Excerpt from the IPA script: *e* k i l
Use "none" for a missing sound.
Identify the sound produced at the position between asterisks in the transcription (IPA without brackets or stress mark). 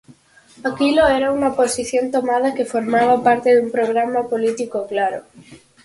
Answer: a